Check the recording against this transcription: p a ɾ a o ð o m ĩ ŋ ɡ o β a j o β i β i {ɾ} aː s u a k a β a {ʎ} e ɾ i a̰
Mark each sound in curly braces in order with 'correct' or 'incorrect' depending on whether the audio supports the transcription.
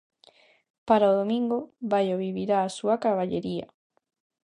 correct, correct

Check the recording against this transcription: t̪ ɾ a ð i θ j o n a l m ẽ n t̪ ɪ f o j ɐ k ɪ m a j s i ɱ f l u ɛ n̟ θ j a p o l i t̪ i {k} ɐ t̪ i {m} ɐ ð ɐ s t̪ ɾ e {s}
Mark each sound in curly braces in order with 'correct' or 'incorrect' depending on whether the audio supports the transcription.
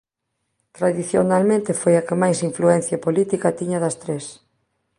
correct, incorrect: ɲ, correct

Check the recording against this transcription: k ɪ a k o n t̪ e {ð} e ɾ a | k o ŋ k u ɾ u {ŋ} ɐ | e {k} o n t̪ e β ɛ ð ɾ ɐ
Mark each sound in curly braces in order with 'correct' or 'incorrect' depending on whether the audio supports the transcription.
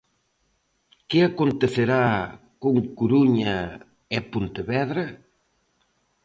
incorrect: θ, incorrect: ɲ, incorrect: p

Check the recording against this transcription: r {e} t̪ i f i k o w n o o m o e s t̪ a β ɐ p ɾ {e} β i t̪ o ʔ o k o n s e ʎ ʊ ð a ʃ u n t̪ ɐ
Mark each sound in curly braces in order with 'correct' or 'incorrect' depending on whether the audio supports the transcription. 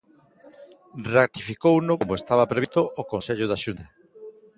incorrect: a, correct

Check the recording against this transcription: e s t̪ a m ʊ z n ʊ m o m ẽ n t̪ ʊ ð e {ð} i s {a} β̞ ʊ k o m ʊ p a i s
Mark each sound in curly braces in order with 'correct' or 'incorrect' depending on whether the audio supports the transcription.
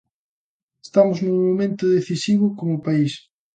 incorrect: θ, incorrect: i

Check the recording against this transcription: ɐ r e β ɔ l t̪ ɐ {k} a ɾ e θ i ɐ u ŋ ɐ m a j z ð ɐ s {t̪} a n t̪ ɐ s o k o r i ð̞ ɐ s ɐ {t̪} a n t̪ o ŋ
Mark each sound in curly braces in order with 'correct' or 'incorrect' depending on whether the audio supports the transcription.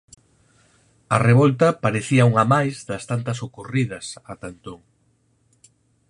incorrect: p, correct, correct

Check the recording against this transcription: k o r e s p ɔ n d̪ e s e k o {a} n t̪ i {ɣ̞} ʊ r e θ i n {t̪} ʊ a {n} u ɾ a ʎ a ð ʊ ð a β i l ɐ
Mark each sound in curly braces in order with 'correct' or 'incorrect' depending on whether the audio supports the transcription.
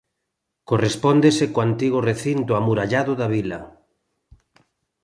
correct, correct, correct, incorrect: m

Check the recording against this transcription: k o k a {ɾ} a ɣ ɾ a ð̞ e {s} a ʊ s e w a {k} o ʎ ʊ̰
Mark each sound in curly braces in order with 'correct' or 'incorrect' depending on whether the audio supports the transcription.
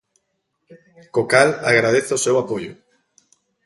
incorrect: l, incorrect: θ, incorrect: p

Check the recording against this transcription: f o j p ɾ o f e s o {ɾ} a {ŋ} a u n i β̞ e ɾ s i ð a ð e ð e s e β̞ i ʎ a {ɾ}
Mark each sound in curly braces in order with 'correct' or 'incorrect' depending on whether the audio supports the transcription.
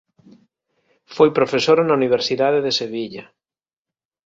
correct, incorrect: n, incorrect: none

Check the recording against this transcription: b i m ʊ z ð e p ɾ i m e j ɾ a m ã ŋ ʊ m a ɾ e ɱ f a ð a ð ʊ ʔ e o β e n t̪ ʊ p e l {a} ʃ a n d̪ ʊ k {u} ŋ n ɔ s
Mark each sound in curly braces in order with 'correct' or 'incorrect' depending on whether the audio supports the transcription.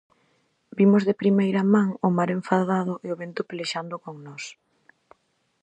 incorrect: e, incorrect: o

